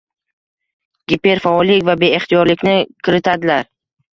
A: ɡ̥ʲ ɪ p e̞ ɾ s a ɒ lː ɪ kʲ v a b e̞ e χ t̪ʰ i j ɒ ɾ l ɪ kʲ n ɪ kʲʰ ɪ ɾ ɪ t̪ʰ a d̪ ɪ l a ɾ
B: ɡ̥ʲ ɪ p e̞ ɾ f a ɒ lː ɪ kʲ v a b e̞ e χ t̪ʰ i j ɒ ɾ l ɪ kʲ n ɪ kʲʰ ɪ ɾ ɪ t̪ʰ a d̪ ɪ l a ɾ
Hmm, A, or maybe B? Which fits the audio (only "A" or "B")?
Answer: B